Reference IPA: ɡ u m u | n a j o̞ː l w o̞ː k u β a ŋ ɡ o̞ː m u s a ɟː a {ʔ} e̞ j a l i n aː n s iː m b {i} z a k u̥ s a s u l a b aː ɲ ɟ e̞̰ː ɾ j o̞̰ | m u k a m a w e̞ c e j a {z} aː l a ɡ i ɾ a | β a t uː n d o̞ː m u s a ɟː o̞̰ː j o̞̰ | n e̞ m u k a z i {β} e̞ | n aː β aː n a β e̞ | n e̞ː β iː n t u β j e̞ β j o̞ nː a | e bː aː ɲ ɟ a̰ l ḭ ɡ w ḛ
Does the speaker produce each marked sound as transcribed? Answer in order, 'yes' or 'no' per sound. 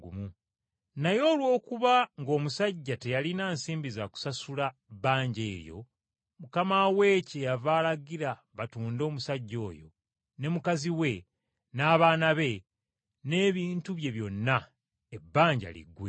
no, yes, no, no

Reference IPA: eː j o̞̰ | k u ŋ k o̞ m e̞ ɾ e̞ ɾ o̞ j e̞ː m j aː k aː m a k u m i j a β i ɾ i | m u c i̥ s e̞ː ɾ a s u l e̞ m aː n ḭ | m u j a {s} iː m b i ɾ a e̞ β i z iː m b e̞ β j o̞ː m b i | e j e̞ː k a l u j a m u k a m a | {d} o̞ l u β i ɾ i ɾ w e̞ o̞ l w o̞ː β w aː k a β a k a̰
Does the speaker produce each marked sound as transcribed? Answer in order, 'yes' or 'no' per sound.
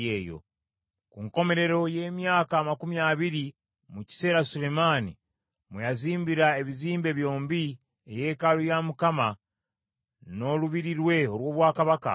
no, no

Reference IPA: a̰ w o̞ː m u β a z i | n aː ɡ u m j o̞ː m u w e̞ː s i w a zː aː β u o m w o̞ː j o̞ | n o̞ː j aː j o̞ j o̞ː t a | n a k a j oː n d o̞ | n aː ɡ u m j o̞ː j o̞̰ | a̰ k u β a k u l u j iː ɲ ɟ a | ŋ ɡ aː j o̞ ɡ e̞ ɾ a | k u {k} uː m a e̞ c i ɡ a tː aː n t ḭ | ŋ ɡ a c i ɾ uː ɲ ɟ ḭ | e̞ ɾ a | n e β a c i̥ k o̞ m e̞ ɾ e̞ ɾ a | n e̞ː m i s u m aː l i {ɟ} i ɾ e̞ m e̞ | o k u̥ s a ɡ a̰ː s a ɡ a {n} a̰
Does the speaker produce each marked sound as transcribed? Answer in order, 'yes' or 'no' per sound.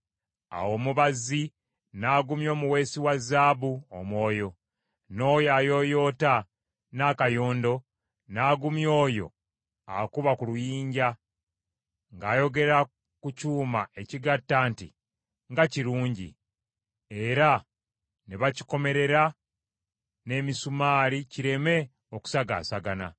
no, no, yes

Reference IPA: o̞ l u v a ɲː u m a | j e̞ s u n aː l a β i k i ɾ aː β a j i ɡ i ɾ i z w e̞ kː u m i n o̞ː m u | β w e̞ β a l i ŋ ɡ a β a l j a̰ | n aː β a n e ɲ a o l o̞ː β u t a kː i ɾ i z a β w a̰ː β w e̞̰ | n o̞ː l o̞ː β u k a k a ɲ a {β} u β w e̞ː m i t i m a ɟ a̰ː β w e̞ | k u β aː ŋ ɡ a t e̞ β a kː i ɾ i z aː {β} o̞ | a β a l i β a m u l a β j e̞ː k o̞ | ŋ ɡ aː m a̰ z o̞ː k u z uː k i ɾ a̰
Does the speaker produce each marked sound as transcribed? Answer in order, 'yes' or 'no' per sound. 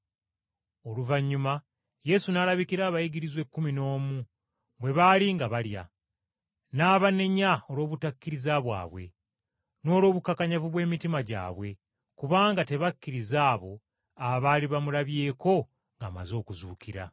no, yes

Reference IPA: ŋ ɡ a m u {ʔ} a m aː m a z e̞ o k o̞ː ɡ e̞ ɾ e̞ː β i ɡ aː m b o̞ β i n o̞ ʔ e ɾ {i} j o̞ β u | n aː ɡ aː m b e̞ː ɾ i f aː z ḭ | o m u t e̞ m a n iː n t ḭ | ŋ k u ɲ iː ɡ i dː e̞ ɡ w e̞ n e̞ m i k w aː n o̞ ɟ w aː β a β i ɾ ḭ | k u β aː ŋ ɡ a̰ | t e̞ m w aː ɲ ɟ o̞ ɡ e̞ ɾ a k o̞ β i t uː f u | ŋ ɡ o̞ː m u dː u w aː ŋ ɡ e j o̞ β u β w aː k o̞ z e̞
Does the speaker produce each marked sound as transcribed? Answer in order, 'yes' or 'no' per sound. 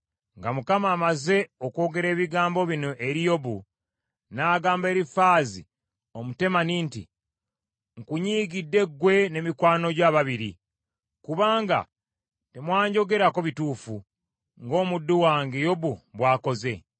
no, yes

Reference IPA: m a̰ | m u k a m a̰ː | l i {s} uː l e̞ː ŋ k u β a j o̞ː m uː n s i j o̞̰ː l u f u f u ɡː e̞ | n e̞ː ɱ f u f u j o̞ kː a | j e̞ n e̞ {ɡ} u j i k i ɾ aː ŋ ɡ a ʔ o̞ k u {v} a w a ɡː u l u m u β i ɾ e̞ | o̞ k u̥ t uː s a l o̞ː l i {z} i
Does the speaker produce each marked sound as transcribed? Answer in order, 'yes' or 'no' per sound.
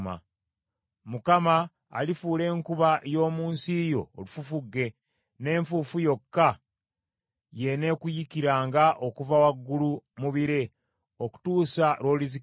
no, no, yes, yes

